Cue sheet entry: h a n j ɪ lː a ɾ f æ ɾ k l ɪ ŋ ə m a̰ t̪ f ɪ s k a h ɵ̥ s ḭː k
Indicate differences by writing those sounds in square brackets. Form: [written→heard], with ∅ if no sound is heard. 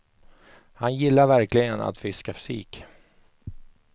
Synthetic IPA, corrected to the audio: h a n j ɪ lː a ɾ [f→v] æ ɾ k l ɪ [ŋ→ɡ] ə [m→n] a̰ t̪ f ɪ s k a [h→f] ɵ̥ s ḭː k